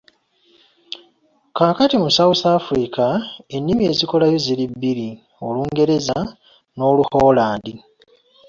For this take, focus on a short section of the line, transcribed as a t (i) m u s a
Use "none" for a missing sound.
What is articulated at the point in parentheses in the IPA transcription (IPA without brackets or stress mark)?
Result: i